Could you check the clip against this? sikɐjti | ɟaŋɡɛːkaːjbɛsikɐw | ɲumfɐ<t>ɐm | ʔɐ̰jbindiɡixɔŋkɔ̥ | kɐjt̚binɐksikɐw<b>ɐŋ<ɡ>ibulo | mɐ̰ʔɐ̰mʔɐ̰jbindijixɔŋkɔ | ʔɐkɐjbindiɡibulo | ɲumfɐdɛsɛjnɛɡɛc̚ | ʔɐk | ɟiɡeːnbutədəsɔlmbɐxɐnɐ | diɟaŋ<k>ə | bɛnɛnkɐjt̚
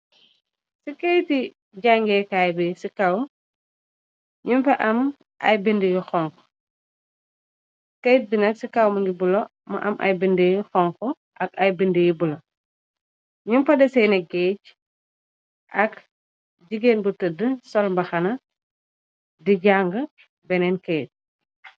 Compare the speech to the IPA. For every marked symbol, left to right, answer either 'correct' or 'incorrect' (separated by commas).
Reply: incorrect, incorrect, correct, incorrect